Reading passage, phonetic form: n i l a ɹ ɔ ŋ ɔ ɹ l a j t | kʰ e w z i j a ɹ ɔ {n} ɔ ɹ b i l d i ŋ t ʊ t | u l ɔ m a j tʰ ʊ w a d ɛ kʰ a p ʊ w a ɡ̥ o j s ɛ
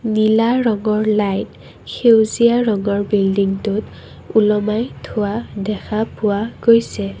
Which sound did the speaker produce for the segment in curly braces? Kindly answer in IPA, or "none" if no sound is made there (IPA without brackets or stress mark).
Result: ŋ